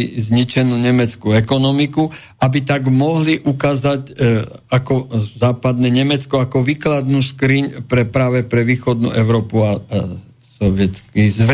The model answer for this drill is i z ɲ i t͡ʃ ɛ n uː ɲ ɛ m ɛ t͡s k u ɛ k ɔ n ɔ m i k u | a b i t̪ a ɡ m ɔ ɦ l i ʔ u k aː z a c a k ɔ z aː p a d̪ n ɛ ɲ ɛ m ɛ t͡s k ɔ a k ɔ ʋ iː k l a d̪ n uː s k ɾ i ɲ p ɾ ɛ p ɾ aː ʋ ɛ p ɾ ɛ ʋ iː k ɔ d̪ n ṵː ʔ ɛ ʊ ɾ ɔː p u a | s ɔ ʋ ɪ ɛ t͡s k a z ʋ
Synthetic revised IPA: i z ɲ i t͡ʃ ɛ n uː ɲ ɛ m ɛ t͡s k u ɛ k ɔ n ɔ m i k u | a b i t̪ a ɡ m ɔ ɦ l i ʔ u k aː z a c a k ɔ z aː p a d̪ n ɛ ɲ ɛ m ɛ t͡s k ɔ a k ɔ ʋ iː k l a d̪ n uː s k ɾ i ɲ p ɾ ɛ p ɾ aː ʋ ɛ p ɾ ɛ ʋ iː x ɔ d̪ n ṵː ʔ ɛ ʊ ɾ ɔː p u a | s ɔ ʋ ɪ ɛ t͡s k i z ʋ